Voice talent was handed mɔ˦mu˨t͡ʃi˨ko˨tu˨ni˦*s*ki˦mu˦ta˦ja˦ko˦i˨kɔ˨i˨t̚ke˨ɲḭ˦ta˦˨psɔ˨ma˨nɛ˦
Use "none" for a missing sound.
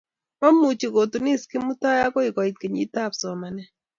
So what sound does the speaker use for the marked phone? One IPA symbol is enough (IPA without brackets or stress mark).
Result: s